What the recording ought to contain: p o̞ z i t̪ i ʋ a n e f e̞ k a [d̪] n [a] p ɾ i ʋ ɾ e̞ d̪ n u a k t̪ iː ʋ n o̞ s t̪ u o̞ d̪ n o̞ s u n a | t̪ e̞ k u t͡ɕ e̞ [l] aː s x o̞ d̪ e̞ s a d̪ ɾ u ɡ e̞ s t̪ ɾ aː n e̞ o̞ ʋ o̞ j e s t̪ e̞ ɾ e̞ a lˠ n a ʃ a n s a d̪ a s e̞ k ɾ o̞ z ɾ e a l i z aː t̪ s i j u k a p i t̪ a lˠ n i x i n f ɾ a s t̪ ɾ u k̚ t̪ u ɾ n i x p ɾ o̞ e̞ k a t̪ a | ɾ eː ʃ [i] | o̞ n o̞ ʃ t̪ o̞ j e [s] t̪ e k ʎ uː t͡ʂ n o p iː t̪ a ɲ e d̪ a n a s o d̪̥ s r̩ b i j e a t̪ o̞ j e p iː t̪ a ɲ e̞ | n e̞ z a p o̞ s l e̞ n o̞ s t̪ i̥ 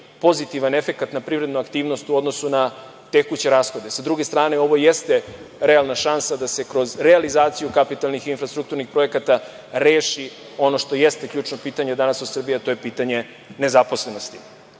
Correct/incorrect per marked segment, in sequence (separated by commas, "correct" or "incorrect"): incorrect, correct, incorrect, correct, correct